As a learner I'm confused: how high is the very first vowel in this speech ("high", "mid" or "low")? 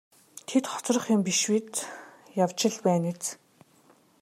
mid